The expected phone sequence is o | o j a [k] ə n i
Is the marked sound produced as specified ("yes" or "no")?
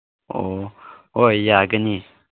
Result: no